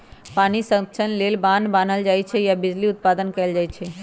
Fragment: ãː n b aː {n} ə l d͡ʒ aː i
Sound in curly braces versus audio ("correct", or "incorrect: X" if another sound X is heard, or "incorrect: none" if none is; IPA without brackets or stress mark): correct